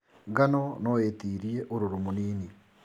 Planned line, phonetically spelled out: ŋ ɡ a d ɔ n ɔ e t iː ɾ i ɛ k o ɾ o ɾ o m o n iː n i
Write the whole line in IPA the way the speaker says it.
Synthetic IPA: ŋ ɡ a n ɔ n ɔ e t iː ɾ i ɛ ʔ o ɾ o ɾ o m o n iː n i